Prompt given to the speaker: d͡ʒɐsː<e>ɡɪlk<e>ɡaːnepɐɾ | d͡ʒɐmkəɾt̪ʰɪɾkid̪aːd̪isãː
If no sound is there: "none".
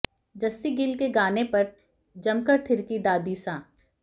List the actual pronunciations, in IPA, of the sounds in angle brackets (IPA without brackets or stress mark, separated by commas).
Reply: i, e